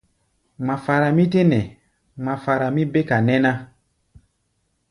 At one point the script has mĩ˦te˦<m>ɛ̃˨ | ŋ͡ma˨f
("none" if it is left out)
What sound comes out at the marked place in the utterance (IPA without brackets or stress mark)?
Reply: n